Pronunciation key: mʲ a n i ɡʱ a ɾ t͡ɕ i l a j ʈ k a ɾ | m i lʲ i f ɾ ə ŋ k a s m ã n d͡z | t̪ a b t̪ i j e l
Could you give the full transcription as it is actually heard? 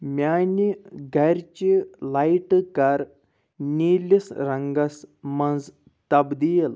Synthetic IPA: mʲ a n i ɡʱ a ɾ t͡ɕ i l a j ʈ k a ɾ | n i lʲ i s ɾ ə ŋ ɡ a s m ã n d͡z | t̪ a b d̪ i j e l